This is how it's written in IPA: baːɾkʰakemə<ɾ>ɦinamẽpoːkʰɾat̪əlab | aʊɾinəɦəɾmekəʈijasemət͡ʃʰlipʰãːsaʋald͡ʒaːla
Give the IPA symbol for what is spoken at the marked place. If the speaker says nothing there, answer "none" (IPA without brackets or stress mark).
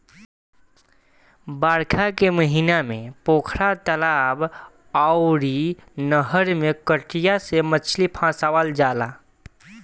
none